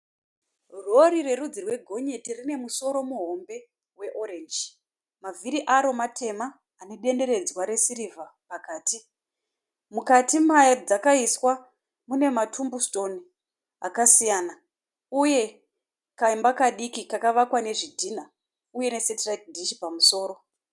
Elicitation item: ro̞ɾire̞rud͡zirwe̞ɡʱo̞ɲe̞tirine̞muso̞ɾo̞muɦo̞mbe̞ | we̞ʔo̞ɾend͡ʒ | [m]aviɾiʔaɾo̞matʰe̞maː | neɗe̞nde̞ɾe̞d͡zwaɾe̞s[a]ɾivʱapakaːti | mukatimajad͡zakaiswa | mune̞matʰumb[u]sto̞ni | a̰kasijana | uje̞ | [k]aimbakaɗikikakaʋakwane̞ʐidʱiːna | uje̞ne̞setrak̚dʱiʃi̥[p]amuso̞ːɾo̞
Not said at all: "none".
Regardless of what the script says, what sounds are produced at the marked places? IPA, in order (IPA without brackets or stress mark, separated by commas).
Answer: m, i, u, k, p